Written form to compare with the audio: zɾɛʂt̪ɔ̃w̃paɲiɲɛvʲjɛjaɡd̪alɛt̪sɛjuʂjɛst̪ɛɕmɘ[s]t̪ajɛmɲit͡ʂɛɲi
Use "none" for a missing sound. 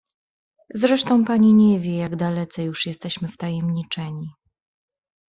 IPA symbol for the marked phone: f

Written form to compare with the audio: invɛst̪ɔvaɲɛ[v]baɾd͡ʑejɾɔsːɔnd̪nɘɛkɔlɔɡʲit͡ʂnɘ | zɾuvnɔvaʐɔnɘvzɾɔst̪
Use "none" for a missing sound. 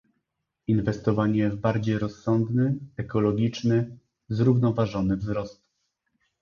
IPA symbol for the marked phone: v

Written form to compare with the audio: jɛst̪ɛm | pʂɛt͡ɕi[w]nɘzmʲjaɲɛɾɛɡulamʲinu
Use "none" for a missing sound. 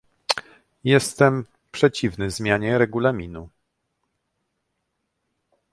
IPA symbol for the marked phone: v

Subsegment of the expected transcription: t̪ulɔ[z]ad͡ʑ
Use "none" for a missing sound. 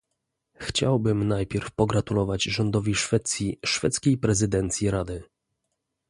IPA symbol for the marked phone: v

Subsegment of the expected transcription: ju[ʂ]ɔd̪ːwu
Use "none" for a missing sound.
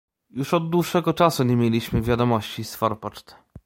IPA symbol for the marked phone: ʂ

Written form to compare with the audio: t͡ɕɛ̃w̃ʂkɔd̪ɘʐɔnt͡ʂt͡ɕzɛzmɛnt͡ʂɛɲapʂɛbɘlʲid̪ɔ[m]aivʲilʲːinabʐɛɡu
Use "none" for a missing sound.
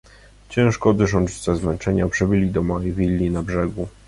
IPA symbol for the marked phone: m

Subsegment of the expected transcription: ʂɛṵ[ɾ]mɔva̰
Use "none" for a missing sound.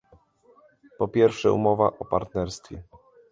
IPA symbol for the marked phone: none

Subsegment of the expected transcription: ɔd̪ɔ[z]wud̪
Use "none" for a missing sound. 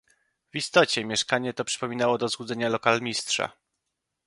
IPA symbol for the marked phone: z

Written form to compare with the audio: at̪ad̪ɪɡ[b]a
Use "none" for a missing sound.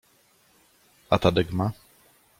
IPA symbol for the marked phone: m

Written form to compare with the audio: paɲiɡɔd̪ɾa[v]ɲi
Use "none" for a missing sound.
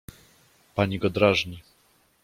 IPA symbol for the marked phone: ʐ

